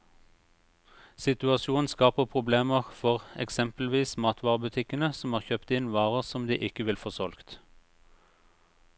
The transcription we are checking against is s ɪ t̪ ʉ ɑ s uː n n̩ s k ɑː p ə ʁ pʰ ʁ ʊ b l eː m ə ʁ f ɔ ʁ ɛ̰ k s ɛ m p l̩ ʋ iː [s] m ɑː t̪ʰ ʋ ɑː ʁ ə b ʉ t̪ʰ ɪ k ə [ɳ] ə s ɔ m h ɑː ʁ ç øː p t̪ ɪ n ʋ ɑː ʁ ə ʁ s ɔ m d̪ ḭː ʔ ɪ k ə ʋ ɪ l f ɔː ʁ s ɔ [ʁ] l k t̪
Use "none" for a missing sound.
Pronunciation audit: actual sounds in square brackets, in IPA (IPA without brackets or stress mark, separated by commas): s, n, none